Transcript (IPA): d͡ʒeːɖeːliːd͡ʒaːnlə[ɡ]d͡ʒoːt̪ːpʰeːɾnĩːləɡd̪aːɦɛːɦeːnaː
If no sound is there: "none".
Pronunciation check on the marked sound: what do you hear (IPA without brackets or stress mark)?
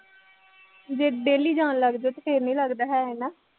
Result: ɡ